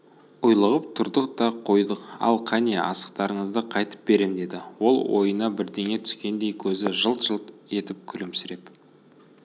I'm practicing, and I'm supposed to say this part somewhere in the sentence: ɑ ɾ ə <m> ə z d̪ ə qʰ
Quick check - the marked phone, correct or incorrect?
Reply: incorrect